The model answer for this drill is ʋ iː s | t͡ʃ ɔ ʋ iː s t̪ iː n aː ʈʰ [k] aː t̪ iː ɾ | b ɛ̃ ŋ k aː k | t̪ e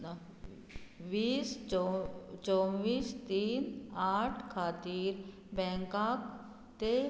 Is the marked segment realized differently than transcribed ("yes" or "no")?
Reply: yes